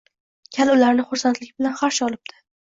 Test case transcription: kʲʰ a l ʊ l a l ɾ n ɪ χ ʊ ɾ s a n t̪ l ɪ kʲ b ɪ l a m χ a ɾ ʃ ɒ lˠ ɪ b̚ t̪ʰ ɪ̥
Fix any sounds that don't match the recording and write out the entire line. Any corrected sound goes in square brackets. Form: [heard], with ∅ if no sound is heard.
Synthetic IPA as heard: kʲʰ a l ʊ l a [∅] ɾ n ɪ χ ʊ ɾ s a n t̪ l ɪ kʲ b ɪ l a [n] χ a ɾ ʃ ɒ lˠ ɪ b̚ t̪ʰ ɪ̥